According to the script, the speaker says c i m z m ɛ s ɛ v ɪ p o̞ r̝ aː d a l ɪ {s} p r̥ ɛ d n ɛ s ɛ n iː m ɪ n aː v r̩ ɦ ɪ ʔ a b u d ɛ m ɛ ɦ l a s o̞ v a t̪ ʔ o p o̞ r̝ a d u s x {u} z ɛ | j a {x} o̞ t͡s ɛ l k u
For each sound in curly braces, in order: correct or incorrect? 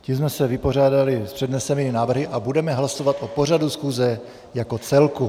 correct, incorrect, incorrect

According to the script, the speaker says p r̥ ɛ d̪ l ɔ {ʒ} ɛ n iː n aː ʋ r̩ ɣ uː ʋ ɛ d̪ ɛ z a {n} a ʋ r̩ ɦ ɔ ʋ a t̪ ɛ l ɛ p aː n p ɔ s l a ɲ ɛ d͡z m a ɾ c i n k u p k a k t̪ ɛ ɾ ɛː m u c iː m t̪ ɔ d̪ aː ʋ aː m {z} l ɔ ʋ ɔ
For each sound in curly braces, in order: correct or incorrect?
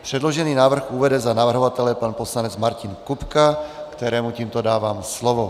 correct, correct, incorrect

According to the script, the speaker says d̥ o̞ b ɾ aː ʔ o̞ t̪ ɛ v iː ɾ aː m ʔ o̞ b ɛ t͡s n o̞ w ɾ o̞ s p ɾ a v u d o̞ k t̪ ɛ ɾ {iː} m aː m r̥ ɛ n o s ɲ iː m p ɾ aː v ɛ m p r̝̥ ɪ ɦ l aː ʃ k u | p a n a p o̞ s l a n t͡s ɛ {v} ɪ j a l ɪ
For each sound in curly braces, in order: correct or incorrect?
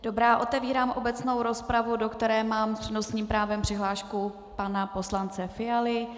incorrect, incorrect

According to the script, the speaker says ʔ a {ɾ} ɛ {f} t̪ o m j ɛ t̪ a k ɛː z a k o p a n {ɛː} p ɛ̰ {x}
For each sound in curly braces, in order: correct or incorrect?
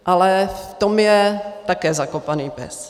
incorrect, correct, incorrect, incorrect

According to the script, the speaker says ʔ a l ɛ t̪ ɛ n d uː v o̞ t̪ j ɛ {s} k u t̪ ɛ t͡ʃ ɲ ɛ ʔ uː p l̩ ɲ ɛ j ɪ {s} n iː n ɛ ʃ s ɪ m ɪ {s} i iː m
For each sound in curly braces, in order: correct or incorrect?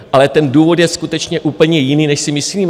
correct, incorrect, correct

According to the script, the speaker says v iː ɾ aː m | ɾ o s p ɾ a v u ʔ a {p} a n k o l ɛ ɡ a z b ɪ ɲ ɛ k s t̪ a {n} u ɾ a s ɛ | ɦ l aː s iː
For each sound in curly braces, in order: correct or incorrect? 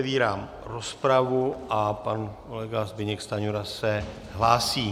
correct, incorrect

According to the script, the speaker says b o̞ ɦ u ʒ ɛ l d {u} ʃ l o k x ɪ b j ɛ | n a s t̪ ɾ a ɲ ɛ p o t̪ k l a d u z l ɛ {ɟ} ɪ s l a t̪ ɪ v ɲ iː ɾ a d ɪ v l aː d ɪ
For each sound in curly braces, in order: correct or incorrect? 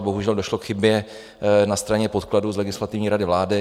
incorrect, incorrect

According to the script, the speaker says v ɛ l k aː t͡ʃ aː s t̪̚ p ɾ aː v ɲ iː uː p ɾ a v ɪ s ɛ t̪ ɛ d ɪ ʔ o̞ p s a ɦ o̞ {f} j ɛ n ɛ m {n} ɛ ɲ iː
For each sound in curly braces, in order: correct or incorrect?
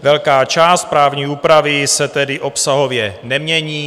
incorrect, incorrect

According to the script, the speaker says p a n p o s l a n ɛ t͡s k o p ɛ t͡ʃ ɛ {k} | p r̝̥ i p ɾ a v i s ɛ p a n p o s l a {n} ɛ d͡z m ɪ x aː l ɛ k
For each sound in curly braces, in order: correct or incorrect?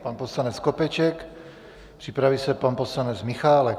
correct, correct

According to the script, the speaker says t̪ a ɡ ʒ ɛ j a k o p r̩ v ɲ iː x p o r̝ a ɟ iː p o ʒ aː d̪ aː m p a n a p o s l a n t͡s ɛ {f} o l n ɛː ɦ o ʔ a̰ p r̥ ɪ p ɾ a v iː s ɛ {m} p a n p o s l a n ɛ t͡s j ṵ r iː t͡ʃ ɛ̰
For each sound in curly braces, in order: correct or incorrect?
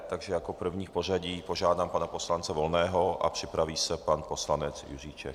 incorrect, incorrect

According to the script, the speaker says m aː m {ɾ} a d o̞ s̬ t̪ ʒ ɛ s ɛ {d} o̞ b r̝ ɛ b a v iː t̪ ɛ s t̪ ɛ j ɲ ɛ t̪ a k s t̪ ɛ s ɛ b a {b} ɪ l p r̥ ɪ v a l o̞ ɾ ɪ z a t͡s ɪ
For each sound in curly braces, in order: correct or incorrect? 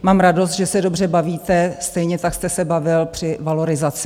correct, correct, incorrect

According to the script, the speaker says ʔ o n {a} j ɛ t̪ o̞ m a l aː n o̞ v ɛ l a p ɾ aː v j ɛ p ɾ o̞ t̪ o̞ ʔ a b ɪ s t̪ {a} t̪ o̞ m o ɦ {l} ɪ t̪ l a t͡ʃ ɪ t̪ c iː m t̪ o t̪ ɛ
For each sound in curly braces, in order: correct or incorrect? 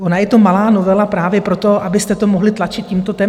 correct, incorrect, correct

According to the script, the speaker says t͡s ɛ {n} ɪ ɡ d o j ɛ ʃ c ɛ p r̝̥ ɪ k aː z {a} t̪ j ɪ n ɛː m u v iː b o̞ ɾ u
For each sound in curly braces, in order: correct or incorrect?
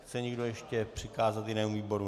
incorrect, correct

